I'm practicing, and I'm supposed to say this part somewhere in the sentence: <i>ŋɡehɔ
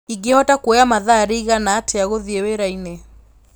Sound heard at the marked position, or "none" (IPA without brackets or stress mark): i